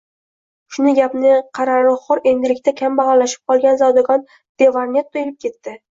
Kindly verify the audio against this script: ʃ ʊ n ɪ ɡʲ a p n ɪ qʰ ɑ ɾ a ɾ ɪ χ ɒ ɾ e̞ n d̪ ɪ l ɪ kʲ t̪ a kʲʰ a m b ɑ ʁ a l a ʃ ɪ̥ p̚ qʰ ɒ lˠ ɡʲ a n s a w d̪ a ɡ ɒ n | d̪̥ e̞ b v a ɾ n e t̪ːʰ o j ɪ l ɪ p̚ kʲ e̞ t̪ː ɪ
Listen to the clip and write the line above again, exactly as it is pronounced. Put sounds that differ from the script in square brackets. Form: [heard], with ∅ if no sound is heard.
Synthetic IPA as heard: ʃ ʊ n ɪ ɡʲ a p n ɪ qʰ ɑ ɾ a ɾ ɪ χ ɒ ɾ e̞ n d̪ ɪ l ɪ kʲ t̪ a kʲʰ a m b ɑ ʁ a l a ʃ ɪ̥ p̚ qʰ ɒ lˠ ɡʲ a n [z] a w d̪ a ɡ ɒ n | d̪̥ e̞ [∅] v a ɾ n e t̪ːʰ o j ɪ l ɪ p̚ kʲ e̞ t̪ː ɪ

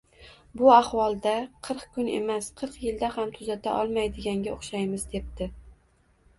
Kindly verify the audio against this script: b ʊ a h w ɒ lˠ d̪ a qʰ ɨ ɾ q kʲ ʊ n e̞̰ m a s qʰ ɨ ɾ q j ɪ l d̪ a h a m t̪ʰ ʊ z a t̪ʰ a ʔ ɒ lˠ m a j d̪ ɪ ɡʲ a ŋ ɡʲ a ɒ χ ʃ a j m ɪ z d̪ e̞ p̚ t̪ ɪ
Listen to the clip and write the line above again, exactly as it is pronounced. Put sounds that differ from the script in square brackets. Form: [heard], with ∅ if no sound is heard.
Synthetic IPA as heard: b ʊ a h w ɒ lˠ d̪ a qʰ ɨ ɾ q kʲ ʊ n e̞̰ m a s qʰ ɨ ɾ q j ɪ l d̪ a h a m t̪ʰ ʊ z a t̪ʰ a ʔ ɒ lˠ m a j d̪ ɪ ɡʲ a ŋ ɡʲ a [o] χ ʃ a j m ɪ z d̪ e̞ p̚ t̪ ɪ

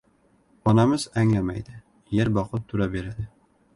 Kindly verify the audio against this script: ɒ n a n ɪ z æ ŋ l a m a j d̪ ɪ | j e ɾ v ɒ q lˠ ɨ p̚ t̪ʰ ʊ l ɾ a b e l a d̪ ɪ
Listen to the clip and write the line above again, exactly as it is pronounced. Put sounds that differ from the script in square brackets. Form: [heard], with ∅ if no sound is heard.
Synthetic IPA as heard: ɒ n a [m] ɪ z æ ŋ l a m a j d̪ ɪ | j e ɾ [b] ɒ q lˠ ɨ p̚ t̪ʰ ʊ [∅] ɾ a b e [ɾ] a d̪ ɪ

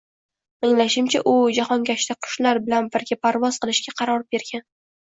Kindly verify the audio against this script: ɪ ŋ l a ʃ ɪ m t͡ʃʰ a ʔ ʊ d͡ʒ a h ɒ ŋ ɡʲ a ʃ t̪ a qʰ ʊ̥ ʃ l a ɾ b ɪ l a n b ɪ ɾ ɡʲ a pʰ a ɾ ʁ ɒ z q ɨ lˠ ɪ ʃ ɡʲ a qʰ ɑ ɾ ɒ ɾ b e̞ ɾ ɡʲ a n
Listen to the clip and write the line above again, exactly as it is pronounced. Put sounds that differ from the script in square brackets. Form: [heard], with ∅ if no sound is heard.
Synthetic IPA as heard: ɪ ŋ l a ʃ ɪ m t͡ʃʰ a ʔ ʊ d͡ʒ a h ɒ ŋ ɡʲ a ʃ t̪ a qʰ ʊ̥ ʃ l a ɾ b ɪ l a n b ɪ ɾ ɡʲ a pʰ a ɾ [v] ɒ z q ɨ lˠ ɪ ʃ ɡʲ a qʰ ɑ ɾ ɒ ɾ b e̞ ɾ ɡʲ a n

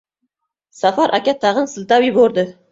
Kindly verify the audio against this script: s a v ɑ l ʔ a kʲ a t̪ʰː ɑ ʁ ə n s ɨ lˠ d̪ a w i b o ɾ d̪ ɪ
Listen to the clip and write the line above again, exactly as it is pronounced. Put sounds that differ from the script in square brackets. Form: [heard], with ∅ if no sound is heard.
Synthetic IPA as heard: s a [f] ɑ [ɾ] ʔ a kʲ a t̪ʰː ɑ ʁ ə n s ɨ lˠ [t̪] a w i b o ɾ d̪ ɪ

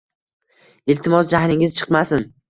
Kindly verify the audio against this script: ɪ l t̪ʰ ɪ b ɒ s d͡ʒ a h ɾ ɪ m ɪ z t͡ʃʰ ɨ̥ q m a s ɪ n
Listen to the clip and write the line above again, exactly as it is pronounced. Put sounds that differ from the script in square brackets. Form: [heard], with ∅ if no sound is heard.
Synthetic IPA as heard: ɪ l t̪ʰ ɪ [m] ɒ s d͡ʒ a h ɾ ɪ [ŋ] ɪ z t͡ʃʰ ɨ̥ q m a s ɪ n

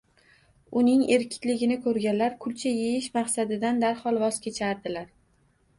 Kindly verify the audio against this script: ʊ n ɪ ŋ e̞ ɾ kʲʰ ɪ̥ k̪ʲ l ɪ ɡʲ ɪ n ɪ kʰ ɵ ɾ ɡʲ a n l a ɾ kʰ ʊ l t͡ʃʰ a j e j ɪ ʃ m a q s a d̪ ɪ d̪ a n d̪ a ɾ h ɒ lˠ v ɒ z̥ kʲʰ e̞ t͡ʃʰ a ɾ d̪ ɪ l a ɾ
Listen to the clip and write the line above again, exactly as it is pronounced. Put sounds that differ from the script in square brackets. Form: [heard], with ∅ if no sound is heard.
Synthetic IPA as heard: ʊ n ɪ ŋ e̞ ɾ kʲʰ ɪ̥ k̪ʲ l ɪ ɡʲ ɪ n ɪ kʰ ɵ ɾ ɡʲ a n l a ɾ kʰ ʊ l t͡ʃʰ a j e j ɪ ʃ m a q s a d̪ ɪ d̪ a n d̪ a ɾ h ɒ lˠ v ɒ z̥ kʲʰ e̞ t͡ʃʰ a ɾ d̪ ɪ l a ɾ

